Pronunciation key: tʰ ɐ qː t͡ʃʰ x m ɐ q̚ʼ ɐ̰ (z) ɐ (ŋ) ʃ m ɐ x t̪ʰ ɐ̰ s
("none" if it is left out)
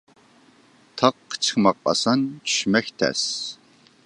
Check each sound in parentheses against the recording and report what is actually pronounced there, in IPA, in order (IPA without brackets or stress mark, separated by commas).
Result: s, n